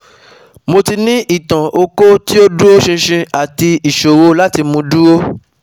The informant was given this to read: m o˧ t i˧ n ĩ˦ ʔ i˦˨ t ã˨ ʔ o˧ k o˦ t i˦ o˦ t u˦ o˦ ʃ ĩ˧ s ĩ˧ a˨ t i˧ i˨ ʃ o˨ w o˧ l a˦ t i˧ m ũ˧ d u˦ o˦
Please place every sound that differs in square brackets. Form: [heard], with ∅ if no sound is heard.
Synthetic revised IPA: m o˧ t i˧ n ĩ˦ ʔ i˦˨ t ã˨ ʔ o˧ k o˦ t i˦ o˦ [d] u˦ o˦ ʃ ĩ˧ [ʃ] ĩ˧ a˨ t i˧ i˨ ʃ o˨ w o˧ l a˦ t i˧ m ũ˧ d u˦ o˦

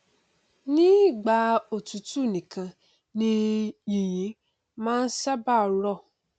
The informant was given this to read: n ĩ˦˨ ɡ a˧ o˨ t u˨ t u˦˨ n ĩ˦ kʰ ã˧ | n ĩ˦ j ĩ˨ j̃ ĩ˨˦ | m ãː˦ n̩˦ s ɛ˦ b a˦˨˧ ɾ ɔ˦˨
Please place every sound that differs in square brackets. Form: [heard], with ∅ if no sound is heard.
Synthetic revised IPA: n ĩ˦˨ [ɡ͡b] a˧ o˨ t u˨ t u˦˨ n [ĩ˨] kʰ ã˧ | n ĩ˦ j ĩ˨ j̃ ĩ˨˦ | m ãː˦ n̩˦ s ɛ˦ b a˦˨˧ ɾ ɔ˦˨

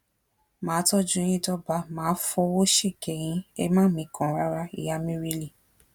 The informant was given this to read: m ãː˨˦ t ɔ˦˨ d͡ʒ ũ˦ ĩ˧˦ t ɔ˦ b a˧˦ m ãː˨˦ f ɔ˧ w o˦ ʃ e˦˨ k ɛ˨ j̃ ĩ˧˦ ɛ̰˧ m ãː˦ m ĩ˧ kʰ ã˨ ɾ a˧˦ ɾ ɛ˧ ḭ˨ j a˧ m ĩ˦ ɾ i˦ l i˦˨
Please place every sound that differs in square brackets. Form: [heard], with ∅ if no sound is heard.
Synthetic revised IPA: m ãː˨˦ t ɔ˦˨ d͡ʒ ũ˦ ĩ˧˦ t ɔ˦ b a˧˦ m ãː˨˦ f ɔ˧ w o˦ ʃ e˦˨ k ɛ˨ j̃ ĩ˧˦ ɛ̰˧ m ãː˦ m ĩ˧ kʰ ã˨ ɾ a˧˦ ɾ [a˧] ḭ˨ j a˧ m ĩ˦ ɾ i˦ l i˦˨

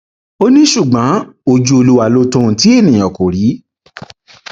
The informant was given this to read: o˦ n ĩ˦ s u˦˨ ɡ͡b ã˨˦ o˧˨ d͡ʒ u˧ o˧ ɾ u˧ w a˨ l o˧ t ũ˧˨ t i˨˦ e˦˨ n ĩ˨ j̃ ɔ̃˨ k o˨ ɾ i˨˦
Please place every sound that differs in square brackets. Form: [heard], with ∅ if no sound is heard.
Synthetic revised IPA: o˦ n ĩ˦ [ʃ] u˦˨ ɡ͡b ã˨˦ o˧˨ d͡ʒ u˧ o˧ [l] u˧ w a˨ l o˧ t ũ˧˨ t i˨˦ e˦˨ n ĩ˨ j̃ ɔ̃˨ k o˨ ɾ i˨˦

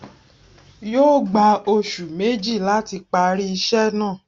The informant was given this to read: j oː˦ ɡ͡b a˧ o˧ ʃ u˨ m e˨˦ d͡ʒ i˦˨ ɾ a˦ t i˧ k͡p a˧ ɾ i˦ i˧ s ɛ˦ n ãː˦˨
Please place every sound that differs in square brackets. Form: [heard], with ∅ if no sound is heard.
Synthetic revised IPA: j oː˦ ɡ͡b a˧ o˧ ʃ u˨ m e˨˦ d͡ʒ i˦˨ [l] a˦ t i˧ k͡p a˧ ɾ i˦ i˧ [ʃ] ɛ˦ n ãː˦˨

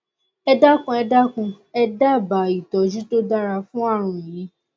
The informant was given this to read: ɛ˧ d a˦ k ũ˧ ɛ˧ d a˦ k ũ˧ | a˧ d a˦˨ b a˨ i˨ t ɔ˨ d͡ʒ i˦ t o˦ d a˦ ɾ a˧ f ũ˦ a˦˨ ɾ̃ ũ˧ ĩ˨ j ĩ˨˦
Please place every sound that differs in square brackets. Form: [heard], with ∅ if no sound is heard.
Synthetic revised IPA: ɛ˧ d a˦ k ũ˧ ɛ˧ d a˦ k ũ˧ | [ɛ˧] d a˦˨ b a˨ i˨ t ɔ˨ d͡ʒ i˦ t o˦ d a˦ ɾ a˧ f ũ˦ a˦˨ ɾ̃ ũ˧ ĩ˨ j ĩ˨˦

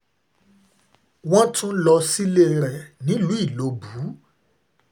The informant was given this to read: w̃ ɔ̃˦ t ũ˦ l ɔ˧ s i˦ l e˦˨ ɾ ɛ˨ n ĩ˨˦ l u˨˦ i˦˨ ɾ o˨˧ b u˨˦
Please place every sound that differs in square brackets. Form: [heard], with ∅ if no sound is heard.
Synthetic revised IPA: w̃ ɔ̃˦ t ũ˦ l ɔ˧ s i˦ l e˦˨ ɾ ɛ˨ n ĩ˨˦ l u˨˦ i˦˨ [l] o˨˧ b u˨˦

